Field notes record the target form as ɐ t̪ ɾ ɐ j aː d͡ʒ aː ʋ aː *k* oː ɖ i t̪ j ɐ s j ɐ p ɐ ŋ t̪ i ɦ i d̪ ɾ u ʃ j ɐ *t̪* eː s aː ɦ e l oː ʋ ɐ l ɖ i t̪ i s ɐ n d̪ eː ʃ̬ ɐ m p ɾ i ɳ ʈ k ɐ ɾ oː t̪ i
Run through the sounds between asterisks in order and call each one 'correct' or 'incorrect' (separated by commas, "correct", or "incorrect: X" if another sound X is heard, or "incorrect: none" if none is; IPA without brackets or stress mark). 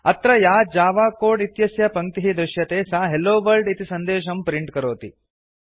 correct, correct